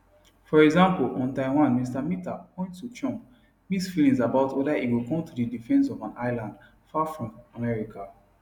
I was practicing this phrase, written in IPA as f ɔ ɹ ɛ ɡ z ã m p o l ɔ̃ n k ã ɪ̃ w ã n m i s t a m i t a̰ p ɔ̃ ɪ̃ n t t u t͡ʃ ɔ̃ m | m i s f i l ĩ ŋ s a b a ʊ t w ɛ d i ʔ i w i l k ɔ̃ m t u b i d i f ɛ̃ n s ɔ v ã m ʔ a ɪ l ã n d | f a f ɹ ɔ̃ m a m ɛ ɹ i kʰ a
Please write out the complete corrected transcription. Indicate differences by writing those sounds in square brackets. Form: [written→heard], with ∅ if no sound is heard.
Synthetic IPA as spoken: f ɔ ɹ ɛ ɡ z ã m p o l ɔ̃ n [k→t] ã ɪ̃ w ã n m i s t a m i t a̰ p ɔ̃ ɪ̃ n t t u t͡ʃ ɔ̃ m | m i s f i l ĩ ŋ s a b a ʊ t w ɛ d [i→a] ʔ i w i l k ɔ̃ m t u [b→d] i d i f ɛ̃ n s ɔ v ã [m→n] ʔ a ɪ l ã n d | f a f ɹ ɔ̃ m a m ɛ ɹ i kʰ a